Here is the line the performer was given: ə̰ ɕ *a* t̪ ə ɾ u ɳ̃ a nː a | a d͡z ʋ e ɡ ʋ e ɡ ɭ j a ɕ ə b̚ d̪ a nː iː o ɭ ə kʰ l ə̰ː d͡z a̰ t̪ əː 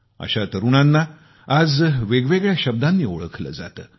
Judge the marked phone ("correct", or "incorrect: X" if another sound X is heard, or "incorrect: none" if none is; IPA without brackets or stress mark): correct